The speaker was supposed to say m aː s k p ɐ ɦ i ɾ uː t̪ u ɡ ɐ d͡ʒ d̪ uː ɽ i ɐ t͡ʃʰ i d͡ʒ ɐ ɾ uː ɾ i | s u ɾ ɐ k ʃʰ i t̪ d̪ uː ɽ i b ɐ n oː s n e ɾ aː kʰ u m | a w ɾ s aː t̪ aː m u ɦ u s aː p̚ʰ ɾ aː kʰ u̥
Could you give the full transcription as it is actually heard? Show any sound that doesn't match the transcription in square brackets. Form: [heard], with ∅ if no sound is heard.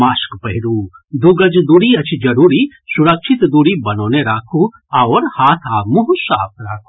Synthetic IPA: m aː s k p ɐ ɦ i ɾ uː [d̪] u ɡ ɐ d͡ʒ d̪ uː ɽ i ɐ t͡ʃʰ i d͡ʒ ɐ ɾ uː ɾ i | s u ɾ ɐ k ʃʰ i t̪ d̪ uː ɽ i b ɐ n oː [∅] n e ɾ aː kʰ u [∅] | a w ɾ [h] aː [t̪ʰ] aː m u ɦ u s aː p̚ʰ ɾ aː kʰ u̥